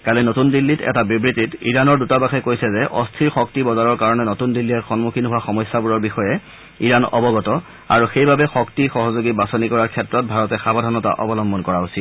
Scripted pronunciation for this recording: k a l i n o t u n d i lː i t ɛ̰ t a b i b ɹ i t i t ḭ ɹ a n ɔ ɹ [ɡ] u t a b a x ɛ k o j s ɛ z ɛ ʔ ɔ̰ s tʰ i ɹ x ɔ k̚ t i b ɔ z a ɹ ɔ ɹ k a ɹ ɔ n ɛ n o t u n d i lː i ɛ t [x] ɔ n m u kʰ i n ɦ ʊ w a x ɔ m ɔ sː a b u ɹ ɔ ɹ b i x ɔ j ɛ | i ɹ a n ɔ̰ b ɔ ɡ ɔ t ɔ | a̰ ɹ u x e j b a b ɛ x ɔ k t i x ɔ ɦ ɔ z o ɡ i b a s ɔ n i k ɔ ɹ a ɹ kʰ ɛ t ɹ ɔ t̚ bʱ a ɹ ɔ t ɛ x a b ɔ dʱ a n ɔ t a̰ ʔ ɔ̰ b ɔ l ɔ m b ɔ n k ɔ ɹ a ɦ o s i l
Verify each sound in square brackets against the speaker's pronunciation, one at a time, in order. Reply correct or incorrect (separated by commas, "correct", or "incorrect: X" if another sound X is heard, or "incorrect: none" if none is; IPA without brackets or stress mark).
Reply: incorrect: d, correct